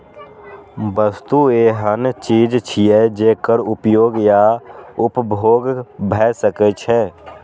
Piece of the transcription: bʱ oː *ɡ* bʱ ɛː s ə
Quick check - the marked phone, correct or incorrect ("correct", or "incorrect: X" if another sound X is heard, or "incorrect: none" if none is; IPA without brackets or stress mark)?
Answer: correct